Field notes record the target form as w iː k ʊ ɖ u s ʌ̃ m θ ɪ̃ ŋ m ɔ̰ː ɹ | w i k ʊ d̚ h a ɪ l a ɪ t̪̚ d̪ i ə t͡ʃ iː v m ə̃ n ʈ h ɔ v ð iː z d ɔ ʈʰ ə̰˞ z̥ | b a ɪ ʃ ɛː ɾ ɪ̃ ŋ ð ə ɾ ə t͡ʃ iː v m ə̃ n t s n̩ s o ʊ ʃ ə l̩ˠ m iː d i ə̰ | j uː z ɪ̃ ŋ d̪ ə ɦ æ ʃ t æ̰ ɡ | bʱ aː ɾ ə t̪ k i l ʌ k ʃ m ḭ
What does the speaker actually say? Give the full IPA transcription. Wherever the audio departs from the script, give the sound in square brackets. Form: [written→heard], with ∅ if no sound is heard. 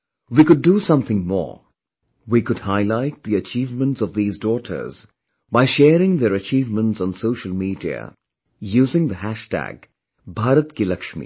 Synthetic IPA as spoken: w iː k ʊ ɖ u s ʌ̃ m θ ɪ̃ ŋ m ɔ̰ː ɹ | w i k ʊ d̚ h a ɪ l a ɪ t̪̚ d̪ i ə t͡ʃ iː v m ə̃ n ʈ [h→s] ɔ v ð iː z d ɔ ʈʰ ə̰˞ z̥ | b a ɪ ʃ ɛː ɾ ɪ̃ ŋ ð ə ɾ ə t͡ʃ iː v m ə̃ n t s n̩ s o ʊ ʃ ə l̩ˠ m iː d i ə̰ | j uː z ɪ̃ ŋ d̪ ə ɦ æ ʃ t æ̰ ɡ | bʱ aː ɾ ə t̪ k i l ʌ k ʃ m ḭ